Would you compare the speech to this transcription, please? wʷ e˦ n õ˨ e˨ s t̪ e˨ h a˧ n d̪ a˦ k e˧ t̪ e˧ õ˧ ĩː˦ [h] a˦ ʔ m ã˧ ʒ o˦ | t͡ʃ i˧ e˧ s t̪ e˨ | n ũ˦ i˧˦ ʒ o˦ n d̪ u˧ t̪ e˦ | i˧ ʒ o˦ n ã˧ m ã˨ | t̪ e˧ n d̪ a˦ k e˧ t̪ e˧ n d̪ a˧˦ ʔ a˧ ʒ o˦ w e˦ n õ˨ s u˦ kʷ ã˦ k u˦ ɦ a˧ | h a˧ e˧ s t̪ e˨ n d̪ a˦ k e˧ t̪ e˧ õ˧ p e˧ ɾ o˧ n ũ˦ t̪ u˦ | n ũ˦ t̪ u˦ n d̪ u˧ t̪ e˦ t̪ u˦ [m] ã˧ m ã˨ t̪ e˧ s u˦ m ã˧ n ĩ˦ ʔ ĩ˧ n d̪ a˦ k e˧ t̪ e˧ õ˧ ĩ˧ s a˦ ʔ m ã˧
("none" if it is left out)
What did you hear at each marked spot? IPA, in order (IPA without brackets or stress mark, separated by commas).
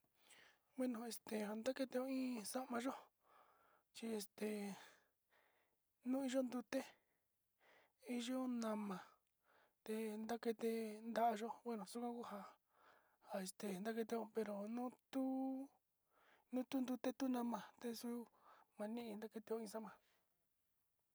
s, n